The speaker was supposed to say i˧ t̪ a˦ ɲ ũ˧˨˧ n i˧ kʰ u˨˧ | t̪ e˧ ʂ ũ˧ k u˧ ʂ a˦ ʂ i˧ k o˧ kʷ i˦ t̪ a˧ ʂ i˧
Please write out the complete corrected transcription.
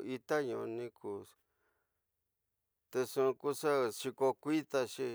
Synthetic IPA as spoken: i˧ t̪ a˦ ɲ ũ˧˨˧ n ĩ˧ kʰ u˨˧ | t̪ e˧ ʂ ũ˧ k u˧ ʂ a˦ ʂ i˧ k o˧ kʷ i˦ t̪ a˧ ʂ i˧